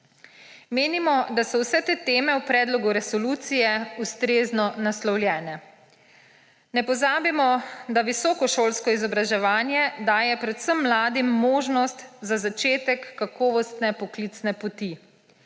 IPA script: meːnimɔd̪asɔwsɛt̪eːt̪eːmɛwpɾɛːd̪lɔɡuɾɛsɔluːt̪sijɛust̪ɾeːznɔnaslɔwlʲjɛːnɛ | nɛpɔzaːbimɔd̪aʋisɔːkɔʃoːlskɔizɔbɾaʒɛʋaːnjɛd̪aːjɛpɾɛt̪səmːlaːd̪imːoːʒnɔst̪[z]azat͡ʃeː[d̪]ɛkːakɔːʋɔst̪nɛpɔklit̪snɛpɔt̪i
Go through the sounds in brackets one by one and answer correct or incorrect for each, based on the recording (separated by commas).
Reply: correct, incorrect